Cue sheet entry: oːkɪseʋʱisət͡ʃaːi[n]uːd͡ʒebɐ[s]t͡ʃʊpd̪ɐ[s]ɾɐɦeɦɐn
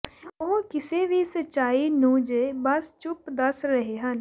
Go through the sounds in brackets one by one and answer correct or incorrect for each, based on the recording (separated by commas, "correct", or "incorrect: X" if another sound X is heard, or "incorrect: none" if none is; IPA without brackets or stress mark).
correct, correct, correct